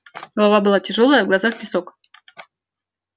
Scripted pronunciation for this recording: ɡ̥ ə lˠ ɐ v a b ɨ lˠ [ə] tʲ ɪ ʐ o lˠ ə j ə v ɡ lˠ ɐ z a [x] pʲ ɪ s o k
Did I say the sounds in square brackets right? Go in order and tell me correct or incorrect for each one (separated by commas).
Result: incorrect, correct